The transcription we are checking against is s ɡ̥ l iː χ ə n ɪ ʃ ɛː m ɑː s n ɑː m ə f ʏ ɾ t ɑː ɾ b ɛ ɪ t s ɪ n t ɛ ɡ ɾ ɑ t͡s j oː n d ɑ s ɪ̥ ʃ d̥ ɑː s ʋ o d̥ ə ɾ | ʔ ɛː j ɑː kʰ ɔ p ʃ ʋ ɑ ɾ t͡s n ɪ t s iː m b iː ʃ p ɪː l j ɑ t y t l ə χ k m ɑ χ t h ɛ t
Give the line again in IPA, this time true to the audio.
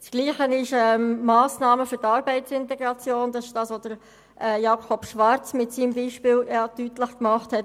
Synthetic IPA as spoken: s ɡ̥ l iː χ ə n ɪ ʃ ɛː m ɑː s n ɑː m ə f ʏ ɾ t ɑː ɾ b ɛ ɪ t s ɪ n t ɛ ɡ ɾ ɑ t͡s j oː n d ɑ s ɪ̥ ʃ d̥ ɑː s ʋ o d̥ ə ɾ | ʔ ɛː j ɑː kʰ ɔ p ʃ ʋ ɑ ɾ t͡s m ɪ t s iː m b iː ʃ p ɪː l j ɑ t y t l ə χ k m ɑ χ t h ɛ t